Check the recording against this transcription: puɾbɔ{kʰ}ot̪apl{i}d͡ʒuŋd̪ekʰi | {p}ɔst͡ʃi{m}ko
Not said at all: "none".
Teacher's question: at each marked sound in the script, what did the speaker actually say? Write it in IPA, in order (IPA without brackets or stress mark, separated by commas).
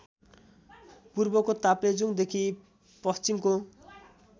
k, e, p, m